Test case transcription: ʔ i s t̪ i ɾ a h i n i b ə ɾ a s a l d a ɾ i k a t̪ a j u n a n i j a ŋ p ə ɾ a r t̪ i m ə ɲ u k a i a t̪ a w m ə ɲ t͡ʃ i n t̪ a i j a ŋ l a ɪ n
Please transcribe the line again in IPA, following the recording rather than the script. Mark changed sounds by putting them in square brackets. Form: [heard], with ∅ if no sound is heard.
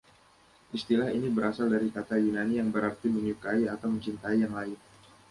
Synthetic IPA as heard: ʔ i s t̪ i [l] a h i n i b ə ɾ a s a l d a ɾ i k a t̪ a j u n a n i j a ŋ [b] ə ɾ a r t̪ i m ə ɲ u k a i a t̪ a w m ə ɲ t͡ʃ i n t̪ a i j a ŋ l a ɪ n